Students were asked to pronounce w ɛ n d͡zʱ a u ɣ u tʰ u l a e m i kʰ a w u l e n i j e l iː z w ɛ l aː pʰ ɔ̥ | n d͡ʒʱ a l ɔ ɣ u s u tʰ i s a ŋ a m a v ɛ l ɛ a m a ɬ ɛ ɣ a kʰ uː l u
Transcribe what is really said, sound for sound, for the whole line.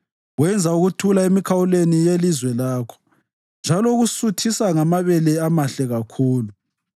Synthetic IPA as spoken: w ɛ n d͡zʱ a u ɣ u tʰ u l a e m i kʰ a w u l e n i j e l i z w ɛ l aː kʰ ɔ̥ | n d͡ʒʱ a l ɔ ɣ u s u tʰ i s a ŋ a m a β ɛ l ɛ a m a ɬ ɛ ɣ a kʰ uː l u